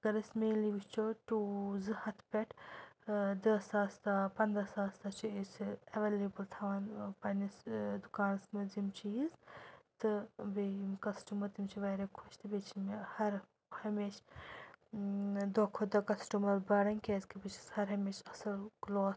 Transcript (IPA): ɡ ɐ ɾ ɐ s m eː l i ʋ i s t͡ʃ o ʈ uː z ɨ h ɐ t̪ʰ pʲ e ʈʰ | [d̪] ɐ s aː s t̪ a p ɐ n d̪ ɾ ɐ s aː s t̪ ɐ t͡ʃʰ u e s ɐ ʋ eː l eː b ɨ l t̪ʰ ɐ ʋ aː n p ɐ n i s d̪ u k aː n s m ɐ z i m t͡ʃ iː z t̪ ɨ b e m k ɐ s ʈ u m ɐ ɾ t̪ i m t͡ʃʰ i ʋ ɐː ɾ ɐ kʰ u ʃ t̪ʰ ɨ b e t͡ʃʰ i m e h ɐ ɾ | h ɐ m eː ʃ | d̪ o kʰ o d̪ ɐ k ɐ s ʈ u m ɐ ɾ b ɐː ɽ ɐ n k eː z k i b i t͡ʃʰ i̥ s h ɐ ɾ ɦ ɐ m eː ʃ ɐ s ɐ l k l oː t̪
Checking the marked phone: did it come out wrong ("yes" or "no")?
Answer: no